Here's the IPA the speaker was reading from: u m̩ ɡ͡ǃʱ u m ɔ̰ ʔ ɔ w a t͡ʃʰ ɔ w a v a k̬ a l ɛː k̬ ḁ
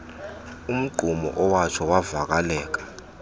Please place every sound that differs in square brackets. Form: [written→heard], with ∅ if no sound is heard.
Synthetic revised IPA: u m̩ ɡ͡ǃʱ u m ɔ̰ ʔ ɔ w a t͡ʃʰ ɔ w a v a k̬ a l ɛː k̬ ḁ